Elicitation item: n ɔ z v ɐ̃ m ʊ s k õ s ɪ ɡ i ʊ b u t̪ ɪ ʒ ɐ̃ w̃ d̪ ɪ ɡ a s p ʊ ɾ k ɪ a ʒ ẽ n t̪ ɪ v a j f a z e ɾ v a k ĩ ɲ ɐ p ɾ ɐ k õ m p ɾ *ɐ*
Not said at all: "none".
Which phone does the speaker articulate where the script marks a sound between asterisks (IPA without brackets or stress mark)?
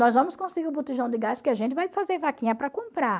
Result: a